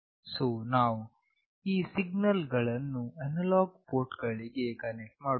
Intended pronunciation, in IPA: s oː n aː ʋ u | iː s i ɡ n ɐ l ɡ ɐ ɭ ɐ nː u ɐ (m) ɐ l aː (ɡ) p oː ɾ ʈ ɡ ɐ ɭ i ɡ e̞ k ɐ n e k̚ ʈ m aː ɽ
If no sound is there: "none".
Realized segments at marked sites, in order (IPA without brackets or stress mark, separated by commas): n, ɡ